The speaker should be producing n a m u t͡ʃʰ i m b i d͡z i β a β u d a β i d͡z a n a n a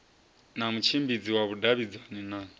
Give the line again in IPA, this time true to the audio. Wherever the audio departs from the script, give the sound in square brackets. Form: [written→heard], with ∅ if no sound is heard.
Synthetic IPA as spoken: n a m u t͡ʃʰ i m b i d͡z i [β→w] a β u d a β i d͡z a n [a→i] n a